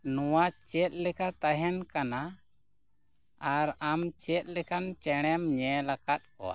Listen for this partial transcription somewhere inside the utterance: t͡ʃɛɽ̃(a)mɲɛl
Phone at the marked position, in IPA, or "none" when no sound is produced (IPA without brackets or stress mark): ɛ